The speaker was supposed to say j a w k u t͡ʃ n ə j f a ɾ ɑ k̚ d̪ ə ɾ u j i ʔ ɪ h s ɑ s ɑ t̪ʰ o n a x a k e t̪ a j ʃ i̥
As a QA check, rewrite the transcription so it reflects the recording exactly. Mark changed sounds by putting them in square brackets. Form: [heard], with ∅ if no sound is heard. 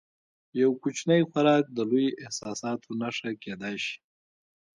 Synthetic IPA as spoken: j a w k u t͡ʃ n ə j [x] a ɾ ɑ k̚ d̪ ə [l] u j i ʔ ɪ h s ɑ s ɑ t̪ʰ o n a [ʂ] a k e [d̪] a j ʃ i̥